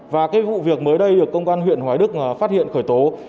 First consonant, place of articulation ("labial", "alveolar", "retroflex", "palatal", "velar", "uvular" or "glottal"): labial